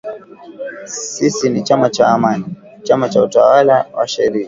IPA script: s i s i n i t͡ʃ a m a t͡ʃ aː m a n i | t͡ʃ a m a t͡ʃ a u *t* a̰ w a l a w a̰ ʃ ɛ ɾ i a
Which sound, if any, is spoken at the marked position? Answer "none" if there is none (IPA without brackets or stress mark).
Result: t